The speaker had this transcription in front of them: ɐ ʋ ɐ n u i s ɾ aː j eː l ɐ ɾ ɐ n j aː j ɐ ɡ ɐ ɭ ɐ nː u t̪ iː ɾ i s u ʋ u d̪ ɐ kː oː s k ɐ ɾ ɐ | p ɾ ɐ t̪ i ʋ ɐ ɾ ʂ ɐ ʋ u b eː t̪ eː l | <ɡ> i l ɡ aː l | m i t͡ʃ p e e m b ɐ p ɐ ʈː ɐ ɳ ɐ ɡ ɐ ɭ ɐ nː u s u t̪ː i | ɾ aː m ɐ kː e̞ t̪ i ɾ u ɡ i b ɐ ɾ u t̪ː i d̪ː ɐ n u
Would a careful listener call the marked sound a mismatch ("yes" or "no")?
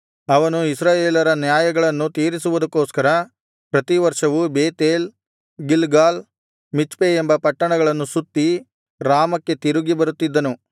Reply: no